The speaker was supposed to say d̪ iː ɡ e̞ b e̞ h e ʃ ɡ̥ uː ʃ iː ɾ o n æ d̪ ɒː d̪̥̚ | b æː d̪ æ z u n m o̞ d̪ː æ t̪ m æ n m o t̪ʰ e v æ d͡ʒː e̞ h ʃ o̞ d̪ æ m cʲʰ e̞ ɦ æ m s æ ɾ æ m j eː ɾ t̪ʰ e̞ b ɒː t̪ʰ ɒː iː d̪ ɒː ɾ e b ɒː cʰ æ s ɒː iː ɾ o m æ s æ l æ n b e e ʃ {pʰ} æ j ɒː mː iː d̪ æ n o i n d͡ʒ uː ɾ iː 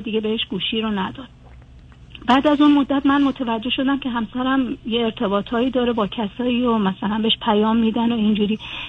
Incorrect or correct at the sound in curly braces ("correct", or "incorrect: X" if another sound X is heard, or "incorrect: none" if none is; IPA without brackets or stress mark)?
correct